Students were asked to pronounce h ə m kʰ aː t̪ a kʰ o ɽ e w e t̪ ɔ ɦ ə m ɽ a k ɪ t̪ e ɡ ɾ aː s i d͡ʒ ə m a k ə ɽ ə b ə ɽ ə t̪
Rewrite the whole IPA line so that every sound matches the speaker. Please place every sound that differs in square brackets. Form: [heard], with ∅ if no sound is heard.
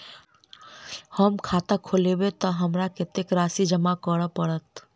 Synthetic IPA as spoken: h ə m kʰ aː t̪ a kʰ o [l] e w e t̪ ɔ ɦ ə m [ɾ] a k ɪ t̪ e [k] ɾ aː s i d͡ʒ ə m a k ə ɽ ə [p] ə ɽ ə t̪